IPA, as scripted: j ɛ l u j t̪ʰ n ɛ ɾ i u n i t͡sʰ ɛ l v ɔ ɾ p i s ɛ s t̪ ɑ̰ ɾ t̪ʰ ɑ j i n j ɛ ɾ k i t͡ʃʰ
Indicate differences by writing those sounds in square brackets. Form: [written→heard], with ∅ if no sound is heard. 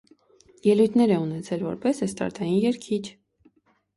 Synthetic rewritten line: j ɛ l u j t̪ʰ n ɛ ɾ [i→ɛ] u n [i→ɛ] t͡sʰ ɛ l v ɔ ɾ p [i→ɛ] s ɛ s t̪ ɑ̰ ɾ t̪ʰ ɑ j i n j ɛ ɾ [k→kʰ] i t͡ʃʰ